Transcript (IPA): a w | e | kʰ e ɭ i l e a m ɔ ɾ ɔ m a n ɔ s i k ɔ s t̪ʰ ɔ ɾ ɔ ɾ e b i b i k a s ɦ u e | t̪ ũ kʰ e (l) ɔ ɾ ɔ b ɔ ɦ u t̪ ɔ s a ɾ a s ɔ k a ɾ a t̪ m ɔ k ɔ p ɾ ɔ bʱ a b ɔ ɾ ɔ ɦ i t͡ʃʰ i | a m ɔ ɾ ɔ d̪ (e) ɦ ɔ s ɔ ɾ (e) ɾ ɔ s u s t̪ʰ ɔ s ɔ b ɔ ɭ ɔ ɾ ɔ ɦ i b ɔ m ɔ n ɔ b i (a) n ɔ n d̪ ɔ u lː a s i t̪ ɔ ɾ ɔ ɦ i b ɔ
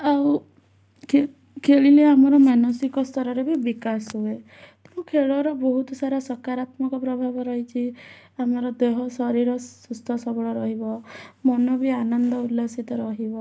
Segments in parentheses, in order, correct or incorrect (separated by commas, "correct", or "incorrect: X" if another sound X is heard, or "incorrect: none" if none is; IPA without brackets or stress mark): incorrect: ɭ, correct, incorrect: i, correct